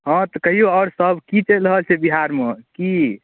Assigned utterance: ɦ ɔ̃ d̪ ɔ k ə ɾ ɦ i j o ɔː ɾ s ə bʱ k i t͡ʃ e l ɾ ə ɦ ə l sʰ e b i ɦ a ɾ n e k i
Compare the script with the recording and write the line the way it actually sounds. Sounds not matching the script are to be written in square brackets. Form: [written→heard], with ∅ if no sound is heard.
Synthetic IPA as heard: ɦ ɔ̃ [d̪→t̪] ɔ k ə [ɾ→∅] ɦ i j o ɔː ɾ s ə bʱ k i t͡ʃ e l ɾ ə ɦ ə l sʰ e b i ɦ a ɾ [n→m] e k i